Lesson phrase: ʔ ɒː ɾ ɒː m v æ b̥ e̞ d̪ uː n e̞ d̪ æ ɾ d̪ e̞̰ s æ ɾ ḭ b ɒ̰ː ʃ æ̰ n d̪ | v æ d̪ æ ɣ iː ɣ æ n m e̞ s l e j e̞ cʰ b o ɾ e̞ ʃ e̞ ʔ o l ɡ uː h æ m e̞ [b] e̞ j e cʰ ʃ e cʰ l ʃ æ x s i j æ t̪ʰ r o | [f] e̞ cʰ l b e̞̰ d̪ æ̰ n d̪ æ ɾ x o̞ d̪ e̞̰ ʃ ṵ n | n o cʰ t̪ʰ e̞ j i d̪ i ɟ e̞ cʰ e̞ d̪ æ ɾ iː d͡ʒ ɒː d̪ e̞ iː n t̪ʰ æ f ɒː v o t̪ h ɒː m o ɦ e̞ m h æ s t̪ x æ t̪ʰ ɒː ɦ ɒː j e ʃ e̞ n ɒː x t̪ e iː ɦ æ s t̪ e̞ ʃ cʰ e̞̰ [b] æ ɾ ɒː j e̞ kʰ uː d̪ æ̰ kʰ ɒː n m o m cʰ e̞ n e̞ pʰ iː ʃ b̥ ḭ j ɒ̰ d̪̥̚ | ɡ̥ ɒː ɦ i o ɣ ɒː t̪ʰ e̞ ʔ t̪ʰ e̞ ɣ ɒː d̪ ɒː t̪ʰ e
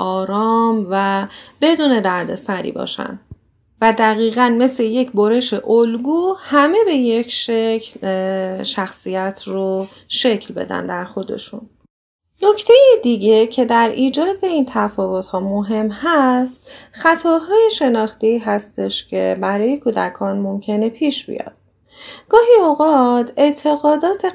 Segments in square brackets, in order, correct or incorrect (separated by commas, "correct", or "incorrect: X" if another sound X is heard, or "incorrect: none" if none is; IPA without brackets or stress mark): correct, incorrect: ʃ, correct